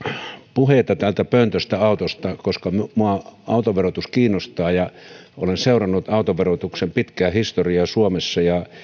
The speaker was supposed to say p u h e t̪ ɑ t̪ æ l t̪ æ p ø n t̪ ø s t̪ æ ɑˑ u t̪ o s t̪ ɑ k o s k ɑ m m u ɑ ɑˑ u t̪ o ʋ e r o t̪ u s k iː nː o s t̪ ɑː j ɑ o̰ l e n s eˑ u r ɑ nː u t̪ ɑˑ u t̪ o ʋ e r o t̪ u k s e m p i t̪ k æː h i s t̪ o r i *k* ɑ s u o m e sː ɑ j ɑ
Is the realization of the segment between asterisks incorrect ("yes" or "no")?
yes